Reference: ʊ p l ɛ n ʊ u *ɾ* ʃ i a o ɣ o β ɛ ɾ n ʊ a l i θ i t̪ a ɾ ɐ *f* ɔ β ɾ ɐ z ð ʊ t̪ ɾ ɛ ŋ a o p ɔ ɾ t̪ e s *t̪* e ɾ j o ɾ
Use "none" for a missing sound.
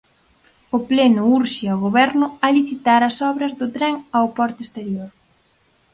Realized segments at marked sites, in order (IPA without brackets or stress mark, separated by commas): ɾ, s, t̪